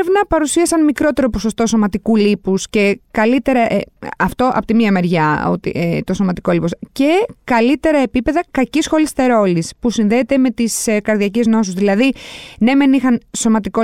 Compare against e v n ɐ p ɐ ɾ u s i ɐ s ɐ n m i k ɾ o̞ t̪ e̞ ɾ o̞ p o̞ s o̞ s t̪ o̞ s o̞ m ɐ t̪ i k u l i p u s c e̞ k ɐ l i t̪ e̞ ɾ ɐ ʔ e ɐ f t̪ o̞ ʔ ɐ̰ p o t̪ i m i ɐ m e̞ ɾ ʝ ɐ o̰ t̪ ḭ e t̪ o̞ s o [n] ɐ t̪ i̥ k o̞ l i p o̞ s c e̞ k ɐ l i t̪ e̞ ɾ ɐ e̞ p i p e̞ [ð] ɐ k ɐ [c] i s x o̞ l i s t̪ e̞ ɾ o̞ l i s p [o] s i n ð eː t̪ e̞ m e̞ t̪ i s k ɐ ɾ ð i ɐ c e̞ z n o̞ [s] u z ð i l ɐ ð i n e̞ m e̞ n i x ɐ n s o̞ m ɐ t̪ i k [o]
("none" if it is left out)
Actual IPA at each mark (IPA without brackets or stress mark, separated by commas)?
m, ð, c, u, s, o